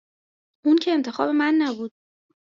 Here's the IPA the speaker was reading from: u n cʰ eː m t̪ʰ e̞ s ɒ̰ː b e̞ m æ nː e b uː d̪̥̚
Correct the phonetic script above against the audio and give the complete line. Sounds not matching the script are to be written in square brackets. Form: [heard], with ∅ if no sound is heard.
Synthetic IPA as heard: u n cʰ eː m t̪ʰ e̞ [x] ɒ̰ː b e̞ m æ nː [æ] b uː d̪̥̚